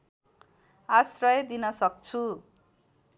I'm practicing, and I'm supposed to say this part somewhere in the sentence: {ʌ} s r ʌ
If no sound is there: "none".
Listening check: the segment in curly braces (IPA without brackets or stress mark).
a